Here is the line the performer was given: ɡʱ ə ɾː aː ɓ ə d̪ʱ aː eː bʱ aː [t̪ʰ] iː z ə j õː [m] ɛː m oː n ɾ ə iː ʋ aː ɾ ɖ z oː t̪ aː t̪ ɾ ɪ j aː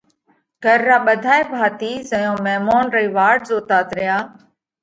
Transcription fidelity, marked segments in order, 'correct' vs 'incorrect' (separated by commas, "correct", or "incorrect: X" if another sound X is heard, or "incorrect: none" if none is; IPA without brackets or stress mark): incorrect: t̪, correct